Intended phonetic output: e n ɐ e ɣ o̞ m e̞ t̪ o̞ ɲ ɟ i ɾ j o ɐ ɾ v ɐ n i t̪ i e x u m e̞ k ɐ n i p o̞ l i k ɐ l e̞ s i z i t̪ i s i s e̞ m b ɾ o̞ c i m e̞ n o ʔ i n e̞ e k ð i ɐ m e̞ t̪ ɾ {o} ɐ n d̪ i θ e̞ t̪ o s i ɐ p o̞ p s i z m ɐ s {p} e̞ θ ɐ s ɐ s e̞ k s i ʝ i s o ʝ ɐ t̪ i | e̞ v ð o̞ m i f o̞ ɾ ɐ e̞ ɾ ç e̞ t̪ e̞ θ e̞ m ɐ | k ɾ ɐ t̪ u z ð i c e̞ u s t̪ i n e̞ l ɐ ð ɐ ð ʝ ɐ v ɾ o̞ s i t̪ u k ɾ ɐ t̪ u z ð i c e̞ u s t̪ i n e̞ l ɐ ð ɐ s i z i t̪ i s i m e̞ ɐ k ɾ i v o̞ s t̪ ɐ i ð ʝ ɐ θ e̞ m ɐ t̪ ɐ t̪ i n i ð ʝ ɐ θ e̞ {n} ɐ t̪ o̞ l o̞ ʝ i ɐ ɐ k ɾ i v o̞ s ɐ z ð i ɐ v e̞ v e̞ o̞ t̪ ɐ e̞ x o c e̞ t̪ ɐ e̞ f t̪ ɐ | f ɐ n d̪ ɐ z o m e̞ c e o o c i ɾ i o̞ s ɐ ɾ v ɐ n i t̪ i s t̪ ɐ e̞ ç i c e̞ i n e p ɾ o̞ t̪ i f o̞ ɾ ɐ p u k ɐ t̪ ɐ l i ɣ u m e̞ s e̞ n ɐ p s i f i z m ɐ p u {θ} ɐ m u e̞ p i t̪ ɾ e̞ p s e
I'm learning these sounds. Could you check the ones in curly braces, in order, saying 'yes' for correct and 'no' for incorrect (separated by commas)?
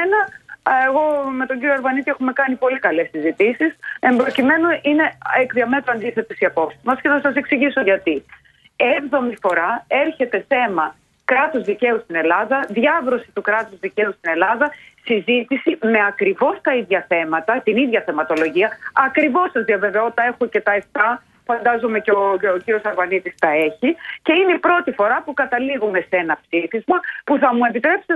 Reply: yes, no, no, yes